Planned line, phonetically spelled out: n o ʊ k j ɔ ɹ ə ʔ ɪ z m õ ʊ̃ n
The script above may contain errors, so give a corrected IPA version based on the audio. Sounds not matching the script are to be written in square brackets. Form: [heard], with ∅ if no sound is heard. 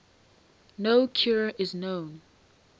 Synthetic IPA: n o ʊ [kʰ] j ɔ ɹ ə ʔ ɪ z [n] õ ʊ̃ n